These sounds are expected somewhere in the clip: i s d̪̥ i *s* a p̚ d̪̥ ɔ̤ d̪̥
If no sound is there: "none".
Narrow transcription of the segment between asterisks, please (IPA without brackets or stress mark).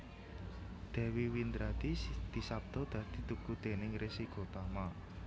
s